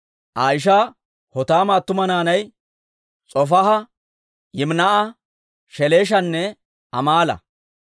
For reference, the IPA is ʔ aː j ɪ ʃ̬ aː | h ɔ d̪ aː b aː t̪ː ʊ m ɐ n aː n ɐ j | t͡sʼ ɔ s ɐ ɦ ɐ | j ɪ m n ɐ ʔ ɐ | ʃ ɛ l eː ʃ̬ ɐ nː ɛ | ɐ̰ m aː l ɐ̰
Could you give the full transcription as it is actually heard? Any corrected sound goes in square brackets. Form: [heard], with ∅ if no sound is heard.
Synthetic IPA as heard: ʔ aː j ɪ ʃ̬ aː | h ɔ [t̪] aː [m] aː t̪ː ʊ m ɐ n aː n ɐ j | t͡sʼ ɔ [f] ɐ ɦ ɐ | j ɪ m n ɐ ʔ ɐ | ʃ ɛ l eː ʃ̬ ɐ nː ɛ | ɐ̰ m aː l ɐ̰